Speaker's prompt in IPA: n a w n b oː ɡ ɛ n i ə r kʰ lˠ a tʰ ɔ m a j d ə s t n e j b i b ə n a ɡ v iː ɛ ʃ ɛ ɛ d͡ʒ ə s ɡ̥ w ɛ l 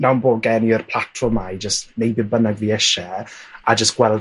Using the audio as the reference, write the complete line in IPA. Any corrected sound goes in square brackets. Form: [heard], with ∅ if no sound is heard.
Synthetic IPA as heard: n a w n b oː ɡ ɛ n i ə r [pʰ] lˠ a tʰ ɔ m a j [d͡ʒ] ə s t n e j b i b ə n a ɡ v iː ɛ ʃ ɛ [a] d͡ʒ ə s ɡ̥ w ɛ l